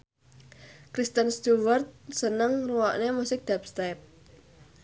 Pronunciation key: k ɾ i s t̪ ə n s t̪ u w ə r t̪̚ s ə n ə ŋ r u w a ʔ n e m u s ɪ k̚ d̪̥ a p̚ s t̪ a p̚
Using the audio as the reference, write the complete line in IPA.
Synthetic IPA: k ɾ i s t̪ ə n s t̪ u w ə r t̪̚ s ə n ə ŋ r u w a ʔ n e m u s ɪ k̚ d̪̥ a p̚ s t̪ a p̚